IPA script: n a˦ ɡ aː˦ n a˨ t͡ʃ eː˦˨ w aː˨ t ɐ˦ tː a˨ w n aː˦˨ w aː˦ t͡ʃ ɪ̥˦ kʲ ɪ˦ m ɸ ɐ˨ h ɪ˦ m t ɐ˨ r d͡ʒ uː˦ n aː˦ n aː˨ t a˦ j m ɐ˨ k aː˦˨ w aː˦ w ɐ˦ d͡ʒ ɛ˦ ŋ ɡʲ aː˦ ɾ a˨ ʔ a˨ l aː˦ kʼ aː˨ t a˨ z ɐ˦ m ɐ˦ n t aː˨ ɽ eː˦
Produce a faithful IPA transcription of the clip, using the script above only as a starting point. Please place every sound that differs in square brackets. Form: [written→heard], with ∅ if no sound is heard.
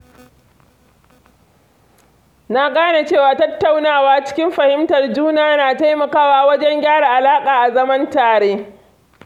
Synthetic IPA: n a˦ ɡ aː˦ n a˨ t͡ʃ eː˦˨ w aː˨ t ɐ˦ tː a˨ w n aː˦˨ w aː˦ t͡ʃ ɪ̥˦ kʲ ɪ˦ m ɸ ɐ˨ h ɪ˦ m t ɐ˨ r d͡ʒ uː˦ n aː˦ n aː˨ t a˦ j m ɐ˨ k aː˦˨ w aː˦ w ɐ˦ d͡ʒ ɛ˦ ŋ ɡʲ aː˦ [ɾ→ɽ] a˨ ʔ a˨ l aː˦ kʼ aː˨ [t→ʔ] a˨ z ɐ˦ m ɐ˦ n t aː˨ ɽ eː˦